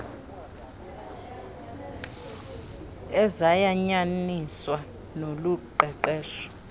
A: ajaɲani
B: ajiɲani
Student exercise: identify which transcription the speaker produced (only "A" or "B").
A